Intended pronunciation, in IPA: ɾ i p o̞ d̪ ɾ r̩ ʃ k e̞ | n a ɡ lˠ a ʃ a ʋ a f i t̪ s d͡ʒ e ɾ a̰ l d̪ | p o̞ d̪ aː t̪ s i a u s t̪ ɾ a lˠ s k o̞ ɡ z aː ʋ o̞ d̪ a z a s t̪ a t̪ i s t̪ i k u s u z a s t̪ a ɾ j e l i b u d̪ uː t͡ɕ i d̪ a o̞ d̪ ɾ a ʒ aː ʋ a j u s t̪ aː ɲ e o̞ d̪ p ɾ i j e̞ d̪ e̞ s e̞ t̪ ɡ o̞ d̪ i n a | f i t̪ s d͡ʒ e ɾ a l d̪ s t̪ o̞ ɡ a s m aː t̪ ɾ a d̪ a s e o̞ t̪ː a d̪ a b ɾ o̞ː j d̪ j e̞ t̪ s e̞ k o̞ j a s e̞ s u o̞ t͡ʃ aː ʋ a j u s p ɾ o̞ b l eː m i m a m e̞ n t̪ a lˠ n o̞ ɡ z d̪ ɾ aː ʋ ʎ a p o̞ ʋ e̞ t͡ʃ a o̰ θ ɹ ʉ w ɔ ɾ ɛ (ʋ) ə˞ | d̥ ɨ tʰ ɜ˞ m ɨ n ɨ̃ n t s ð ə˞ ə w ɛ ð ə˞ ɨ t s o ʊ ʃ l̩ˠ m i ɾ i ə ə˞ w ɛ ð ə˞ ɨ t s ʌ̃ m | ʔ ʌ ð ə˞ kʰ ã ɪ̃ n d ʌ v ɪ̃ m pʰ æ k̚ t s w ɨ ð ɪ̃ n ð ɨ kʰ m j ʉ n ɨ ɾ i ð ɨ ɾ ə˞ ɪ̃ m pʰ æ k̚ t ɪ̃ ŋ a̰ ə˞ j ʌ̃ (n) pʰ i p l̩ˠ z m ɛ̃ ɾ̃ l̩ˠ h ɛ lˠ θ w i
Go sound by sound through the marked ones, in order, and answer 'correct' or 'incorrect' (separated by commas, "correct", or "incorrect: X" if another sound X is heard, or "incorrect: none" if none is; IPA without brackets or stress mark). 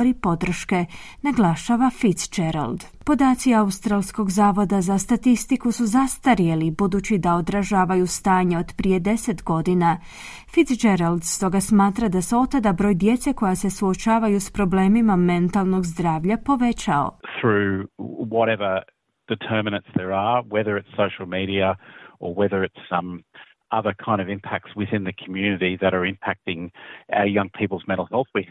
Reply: incorrect: v, incorrect: ŋ